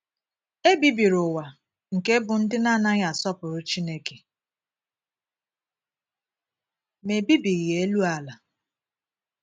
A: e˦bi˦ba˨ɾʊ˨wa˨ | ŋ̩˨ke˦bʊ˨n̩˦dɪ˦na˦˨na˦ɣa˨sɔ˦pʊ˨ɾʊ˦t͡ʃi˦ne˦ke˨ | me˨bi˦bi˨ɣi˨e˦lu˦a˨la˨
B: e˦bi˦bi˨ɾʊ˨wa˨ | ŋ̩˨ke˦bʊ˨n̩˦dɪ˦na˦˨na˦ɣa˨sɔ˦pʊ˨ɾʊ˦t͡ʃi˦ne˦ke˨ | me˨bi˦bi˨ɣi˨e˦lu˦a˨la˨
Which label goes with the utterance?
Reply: B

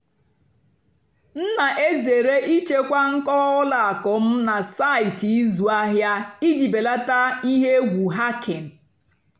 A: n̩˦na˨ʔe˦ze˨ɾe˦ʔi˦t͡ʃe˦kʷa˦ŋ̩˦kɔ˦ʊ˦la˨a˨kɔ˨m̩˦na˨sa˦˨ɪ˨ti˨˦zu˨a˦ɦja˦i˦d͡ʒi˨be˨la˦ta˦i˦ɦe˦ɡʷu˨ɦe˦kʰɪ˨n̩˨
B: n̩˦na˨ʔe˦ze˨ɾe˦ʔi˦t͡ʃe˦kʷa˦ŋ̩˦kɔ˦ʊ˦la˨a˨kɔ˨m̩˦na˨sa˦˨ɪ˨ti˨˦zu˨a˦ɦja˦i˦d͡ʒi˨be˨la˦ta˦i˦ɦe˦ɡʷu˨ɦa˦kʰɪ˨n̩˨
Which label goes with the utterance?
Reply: B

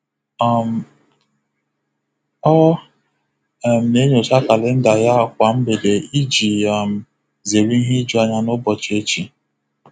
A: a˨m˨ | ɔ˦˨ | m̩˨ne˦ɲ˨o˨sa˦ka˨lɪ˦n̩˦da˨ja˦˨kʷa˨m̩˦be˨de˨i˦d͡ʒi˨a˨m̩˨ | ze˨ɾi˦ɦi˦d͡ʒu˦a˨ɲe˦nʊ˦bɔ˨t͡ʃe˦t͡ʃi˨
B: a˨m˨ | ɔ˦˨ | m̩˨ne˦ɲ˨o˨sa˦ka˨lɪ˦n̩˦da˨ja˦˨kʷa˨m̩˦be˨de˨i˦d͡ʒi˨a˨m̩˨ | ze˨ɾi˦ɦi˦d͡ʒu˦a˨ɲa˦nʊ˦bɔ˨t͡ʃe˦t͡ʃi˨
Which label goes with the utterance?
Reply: B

